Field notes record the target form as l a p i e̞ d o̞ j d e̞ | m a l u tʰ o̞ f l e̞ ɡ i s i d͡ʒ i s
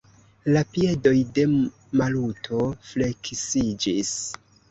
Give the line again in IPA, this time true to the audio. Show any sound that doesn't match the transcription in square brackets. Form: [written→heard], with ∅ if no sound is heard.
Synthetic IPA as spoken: l a p i e̞ d o̞ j d e̞ | m a l u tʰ o̞ f l e̞ [ɡ→k] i s i d͡ʒ i s

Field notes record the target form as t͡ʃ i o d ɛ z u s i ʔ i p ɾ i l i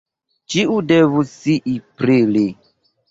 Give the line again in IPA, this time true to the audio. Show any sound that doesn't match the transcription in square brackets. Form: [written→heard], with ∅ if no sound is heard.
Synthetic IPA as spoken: t͡ʃ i [o→u] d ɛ [z→v] u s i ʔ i p ɾ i l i

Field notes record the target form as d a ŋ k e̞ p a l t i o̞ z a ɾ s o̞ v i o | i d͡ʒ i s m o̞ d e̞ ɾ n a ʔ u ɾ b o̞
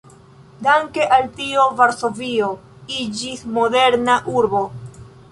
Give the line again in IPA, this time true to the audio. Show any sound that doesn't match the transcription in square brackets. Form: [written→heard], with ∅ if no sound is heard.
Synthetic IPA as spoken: d a ŋ k e̞ [p→ʔ] a l t i o̞ [z→v] a ɾ s o̞ v i o | i d͡ʒ i s m o̞ d e̞ ɾ n a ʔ u ɾ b o̞

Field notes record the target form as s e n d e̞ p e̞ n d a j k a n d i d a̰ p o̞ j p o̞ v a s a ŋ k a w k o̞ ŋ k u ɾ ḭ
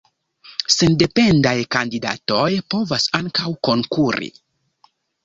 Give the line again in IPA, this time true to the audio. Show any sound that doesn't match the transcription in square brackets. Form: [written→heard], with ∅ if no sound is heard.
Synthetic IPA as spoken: s e n d e̞ p e̞ n d a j k a n d i d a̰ [p→t] o̞ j p o̞ v a s a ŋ k a w k o̞ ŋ k u ɾ ḭ

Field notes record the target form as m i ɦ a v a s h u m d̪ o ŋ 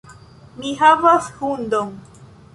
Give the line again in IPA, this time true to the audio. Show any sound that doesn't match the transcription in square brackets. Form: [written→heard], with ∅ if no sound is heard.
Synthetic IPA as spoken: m i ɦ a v a s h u [m→n] d̪ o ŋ

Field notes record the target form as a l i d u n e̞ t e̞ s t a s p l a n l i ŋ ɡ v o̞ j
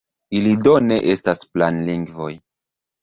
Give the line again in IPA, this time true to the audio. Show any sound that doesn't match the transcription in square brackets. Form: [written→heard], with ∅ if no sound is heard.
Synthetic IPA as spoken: [a→i] l i d [u→o] n e̞ [t→ʔ] e̞ s t a s p l a n l i ŋ ɡ v o̞ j

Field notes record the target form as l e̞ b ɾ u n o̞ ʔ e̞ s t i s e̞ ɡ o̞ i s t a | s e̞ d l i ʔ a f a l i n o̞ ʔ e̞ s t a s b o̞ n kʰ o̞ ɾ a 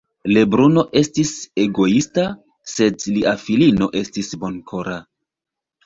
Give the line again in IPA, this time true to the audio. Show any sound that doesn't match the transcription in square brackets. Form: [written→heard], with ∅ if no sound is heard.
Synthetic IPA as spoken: l e̞ b ɾ u n o̞ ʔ e̞ s t i s e̞ ɡ o̞ i s t a | s e̞ d l i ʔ a f [a→i] l i n o̞ ʔ e̞ s t [a→i] s b o̞ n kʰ o̞ ɾ a

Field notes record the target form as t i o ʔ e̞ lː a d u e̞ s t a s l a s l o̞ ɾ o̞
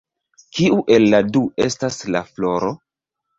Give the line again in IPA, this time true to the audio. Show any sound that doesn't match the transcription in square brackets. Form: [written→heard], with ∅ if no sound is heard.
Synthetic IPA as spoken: [t→k] i [o→u] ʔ e̞ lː a d u e̞ s t a s l a [s→f] l o̞ ɾ o̞

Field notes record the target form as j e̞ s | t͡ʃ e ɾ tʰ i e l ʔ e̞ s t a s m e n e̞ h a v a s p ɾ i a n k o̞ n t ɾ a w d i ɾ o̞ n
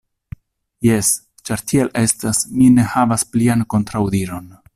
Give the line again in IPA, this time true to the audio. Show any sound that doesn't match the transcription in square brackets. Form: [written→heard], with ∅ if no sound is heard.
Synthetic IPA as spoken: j e̞ s | t͡ʃ [e→a] ɾ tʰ i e l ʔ e̞ s t a s m [e→i] n e̞ h a v a s p [ɾ→l] i a n k o̞ n t ɾ a w d i ɾ o̞ n

